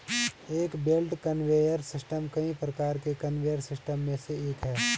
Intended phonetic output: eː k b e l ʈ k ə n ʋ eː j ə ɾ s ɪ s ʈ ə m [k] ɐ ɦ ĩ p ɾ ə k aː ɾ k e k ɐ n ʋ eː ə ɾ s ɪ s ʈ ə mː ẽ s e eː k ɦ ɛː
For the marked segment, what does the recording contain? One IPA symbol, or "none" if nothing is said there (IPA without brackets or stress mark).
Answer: k